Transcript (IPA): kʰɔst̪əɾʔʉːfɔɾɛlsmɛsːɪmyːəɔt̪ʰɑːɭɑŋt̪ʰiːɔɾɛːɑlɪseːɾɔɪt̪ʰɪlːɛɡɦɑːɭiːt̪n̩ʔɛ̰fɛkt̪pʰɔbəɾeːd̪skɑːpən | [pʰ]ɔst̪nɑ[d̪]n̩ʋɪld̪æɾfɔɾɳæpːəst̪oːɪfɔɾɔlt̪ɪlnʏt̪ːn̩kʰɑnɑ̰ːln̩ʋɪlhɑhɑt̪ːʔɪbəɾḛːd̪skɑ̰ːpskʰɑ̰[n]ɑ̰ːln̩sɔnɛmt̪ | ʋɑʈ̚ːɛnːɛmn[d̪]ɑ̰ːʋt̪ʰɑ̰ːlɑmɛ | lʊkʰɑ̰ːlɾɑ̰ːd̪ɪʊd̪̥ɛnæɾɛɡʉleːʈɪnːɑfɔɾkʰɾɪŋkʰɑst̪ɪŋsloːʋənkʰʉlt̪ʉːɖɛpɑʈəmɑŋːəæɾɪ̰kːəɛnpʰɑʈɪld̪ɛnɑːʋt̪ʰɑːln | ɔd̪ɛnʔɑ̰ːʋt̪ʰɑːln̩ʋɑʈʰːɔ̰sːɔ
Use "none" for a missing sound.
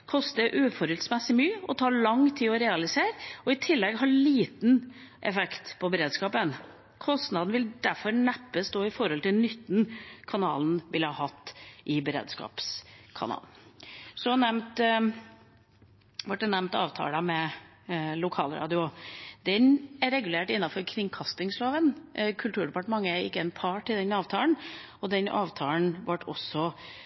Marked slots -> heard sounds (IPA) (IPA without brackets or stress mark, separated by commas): kʰ, d̪, n, t̪